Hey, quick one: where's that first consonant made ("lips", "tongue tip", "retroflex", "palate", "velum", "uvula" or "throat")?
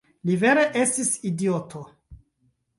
tongue tip